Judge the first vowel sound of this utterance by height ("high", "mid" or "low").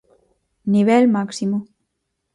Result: high